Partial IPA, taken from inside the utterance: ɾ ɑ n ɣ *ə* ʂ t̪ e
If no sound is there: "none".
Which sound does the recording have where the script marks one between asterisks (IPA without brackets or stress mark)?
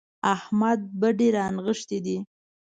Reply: ə